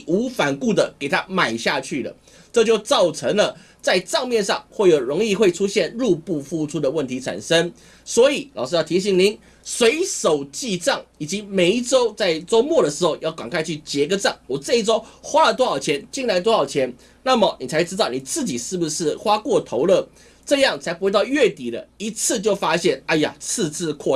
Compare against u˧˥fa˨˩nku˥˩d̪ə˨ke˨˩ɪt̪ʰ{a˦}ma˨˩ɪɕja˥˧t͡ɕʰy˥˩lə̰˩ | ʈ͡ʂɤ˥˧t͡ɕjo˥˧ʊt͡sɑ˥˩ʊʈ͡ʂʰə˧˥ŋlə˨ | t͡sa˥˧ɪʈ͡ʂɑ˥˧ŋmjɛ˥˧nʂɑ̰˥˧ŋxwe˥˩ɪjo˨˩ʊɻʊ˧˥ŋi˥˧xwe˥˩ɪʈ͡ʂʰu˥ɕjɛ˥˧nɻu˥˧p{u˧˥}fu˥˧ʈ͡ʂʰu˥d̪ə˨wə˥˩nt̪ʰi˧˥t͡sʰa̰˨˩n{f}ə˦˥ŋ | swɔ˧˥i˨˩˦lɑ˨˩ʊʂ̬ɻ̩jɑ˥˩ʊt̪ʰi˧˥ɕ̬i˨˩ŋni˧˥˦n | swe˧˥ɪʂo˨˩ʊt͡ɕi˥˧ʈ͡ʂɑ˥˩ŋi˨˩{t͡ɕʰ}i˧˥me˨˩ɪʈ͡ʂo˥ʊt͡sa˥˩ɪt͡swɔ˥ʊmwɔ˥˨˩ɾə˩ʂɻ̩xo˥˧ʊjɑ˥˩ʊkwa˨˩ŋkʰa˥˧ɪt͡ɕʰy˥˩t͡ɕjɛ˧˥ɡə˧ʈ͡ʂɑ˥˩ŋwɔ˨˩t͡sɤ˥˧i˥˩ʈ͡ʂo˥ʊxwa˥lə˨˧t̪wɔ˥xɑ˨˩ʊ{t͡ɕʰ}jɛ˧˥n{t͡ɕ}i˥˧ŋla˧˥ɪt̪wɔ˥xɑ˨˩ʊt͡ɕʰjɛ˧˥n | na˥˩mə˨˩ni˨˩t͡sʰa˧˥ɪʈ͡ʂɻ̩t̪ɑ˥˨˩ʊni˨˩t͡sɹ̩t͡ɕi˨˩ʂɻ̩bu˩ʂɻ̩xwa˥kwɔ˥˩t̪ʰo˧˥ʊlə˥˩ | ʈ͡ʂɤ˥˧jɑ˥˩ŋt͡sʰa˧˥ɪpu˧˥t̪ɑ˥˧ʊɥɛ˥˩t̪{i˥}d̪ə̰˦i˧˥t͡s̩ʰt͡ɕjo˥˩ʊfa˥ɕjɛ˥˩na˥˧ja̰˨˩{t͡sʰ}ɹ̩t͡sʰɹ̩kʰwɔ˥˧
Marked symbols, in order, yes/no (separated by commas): yes, no, no, no, yes, yes, no, yes